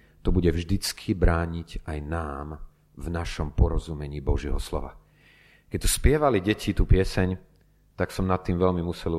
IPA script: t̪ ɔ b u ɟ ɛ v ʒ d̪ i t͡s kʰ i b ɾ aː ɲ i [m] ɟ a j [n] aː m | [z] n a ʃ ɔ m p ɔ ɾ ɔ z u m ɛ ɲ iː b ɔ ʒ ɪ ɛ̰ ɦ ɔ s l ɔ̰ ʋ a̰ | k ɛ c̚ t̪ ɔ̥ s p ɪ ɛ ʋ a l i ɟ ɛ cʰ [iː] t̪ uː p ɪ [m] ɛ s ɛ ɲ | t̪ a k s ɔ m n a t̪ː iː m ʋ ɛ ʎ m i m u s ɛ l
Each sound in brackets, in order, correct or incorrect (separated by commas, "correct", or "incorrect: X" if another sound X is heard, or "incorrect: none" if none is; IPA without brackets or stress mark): incorrect: none, correct, incorrect: v, incorrect: i, incorrect: none